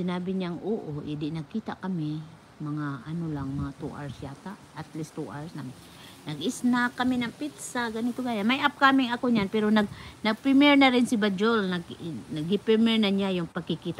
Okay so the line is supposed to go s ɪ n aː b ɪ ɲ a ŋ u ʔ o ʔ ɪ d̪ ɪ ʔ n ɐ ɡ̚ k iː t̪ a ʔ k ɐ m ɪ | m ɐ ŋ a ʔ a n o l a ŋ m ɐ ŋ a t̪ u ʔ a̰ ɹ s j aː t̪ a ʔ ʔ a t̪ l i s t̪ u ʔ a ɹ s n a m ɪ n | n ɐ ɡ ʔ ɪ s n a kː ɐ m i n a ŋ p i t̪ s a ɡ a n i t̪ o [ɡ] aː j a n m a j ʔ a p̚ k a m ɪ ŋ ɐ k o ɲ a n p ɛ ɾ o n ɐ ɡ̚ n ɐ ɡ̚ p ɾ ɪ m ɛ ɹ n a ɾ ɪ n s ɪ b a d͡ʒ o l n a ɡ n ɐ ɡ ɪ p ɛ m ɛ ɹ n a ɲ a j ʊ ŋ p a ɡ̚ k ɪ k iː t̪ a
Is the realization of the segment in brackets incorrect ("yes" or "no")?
no